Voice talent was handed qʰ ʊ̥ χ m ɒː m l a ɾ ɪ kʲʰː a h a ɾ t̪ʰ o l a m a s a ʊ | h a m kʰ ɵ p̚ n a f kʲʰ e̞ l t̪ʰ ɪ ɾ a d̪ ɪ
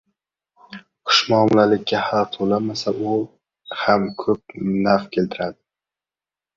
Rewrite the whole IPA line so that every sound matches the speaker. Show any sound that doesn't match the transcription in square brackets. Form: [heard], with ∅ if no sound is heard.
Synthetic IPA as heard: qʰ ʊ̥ [ʃ] m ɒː m l a [l] ɪ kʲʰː a h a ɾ t̪ʰ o l a m a s a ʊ | h a m kʰ ɵ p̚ n a f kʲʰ e̞ l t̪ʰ ɪ ɾ a d̪ ɪ